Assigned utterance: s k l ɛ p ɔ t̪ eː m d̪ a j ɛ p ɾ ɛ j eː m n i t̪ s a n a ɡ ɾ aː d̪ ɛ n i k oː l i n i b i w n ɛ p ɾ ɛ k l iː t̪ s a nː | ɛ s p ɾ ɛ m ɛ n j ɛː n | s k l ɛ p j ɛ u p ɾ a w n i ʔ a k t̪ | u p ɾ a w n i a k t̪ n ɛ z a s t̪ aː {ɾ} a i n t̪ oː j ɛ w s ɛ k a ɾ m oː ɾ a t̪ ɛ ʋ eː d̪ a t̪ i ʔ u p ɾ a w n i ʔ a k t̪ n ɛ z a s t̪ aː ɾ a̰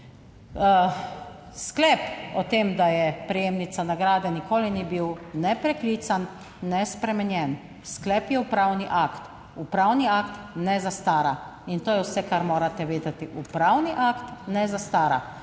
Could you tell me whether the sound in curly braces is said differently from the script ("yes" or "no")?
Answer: no